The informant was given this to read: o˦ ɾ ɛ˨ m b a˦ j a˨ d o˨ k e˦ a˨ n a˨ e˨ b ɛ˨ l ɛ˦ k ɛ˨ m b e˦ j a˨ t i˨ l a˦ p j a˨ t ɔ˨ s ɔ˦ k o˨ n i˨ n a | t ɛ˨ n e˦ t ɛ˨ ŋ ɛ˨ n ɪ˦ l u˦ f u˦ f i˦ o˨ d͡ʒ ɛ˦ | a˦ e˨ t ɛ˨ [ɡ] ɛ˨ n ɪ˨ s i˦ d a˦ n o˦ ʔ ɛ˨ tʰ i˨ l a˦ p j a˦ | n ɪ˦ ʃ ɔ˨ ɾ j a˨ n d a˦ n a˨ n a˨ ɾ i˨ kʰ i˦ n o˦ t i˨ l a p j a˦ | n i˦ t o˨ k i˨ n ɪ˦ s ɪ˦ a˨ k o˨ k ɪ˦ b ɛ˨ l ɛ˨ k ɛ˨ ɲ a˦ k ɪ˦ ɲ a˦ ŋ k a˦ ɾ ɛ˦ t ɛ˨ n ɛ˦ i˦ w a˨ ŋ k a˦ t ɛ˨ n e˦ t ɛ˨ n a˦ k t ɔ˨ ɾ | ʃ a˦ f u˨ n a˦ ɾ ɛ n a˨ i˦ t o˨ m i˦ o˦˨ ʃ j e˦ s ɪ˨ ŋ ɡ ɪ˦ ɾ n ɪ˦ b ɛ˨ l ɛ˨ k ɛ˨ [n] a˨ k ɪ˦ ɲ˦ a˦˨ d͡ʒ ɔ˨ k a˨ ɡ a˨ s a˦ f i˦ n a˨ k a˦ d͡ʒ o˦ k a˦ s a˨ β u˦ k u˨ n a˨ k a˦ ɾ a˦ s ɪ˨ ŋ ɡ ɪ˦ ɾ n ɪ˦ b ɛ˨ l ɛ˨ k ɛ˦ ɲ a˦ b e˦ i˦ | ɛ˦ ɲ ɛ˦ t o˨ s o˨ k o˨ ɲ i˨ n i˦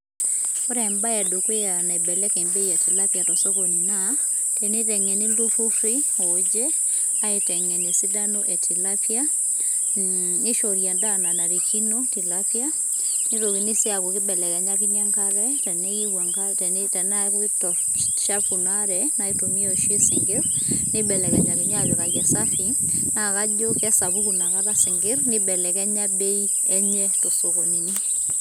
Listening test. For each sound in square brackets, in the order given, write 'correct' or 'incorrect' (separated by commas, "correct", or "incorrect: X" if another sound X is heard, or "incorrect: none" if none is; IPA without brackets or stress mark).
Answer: incorrect: ŋ, incorrect: ɲ